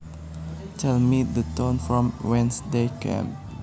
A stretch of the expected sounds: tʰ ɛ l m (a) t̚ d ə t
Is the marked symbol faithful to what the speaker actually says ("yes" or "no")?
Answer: no